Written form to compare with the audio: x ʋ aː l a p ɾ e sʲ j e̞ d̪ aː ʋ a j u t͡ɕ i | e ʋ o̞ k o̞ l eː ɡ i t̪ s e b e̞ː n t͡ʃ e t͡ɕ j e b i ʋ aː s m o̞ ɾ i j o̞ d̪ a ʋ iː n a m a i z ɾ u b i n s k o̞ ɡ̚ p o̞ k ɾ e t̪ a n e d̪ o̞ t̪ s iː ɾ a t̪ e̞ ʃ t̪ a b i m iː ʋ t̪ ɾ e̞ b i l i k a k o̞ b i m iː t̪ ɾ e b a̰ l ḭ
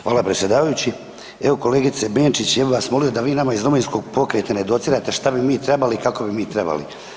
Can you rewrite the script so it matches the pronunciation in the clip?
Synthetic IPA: x ʋ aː l a p ɾ e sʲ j e̞ d̪ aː ʋ a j u t͡ɕ i | e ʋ o̞ k o̞ l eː ɡ i t̪ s e b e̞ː n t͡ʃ i t͡ɕ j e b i ʋ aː s m o̞ l i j o̞ d̪ a ʋ iː n a m a i z ɾ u m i n s k o̞ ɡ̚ p o̞ k ɾ e t̪ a n e d̪ o̞ t̪ s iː ɾ a t̪ e̞ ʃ t̪ a b i m iː t̪ ɾ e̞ b a l i k a k o̞ b i m iː t̪ ɾ e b a̰ l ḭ